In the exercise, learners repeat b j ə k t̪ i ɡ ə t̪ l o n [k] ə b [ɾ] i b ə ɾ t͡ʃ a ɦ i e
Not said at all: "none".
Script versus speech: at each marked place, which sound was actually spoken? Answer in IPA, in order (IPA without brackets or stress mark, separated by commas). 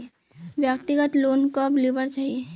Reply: k, l